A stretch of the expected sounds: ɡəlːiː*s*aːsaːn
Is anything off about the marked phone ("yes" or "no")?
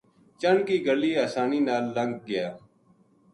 yes